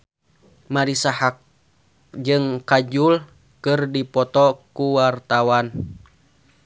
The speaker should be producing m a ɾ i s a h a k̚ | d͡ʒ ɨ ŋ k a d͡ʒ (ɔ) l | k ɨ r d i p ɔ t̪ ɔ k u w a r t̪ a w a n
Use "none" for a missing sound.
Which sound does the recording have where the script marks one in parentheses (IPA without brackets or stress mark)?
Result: u